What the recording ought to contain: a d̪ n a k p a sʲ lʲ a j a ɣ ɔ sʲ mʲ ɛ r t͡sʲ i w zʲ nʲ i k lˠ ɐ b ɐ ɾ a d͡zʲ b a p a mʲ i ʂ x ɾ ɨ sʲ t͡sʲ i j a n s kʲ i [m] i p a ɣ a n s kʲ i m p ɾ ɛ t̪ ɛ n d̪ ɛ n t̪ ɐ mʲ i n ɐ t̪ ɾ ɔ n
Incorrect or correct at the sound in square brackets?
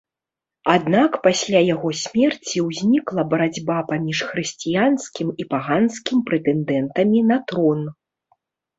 correct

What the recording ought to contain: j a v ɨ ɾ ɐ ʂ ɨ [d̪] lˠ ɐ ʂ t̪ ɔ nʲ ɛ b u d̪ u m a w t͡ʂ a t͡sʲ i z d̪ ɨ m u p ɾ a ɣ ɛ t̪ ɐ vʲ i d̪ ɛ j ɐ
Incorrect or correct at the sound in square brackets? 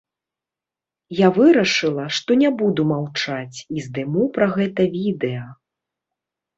incorrect: none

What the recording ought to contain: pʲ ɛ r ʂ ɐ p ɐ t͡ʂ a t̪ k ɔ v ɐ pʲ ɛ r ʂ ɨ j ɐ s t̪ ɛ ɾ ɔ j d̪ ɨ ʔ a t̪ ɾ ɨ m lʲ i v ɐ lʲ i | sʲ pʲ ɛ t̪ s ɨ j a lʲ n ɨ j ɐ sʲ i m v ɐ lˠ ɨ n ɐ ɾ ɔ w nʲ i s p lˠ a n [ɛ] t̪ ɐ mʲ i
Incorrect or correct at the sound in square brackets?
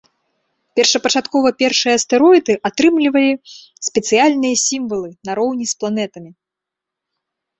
correct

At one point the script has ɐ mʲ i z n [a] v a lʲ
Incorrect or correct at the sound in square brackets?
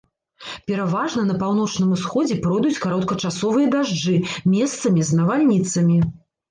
incorrect: ɐ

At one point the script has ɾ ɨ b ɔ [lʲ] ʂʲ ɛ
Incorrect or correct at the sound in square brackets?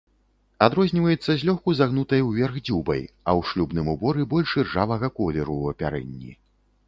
correct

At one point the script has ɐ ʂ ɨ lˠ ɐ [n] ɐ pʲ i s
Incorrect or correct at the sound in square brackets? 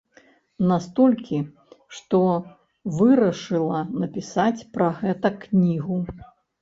correct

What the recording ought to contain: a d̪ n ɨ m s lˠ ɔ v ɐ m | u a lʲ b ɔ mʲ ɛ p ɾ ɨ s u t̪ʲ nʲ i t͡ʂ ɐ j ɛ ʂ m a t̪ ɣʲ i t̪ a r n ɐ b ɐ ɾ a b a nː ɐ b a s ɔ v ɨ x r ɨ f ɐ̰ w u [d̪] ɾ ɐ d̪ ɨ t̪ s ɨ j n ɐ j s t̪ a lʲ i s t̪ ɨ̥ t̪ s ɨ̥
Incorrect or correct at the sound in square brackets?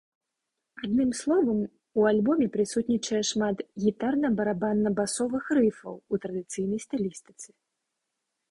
incorrect: t̪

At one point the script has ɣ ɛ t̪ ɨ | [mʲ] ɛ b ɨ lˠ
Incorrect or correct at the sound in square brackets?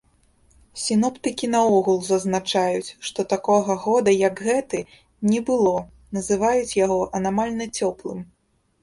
incorrect: nʲ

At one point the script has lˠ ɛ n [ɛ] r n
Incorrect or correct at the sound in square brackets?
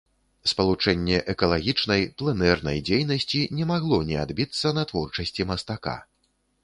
correct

